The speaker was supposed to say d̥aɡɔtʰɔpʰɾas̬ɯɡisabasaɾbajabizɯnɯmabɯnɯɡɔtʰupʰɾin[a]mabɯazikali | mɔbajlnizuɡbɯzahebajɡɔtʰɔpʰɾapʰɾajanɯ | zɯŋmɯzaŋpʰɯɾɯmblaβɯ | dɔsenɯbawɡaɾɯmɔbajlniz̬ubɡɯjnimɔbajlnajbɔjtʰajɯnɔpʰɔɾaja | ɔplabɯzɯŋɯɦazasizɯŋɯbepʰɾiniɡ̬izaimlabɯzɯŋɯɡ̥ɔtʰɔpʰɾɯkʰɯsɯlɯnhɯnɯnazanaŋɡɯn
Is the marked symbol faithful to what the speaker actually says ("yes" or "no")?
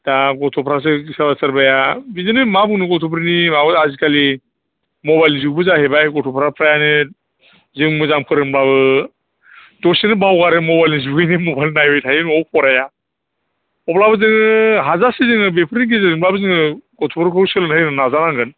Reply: no